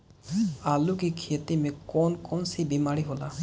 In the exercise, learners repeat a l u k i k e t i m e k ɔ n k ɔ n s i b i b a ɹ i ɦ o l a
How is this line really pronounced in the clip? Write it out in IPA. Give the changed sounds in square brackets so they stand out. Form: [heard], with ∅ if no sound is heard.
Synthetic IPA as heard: a l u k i [kʰ] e t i m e k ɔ n k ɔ n s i b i [m] a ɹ i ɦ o l a